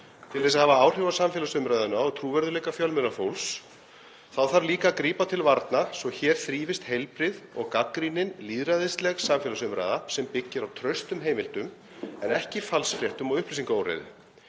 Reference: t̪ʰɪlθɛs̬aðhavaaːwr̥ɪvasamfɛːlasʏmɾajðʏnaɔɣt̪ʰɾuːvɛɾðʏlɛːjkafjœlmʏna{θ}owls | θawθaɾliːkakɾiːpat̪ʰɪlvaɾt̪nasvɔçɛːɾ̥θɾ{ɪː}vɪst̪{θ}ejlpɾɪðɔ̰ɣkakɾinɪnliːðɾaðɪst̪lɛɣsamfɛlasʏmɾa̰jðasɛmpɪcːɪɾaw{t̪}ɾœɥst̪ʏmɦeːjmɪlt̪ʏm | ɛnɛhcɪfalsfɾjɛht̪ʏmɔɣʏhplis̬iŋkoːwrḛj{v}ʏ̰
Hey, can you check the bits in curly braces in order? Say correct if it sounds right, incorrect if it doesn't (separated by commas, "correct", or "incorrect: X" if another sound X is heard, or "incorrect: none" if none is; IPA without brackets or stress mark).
incorrect: f, incorrect: iː, incorrect: h, incorrect: t̪ʰ, incorrect: ð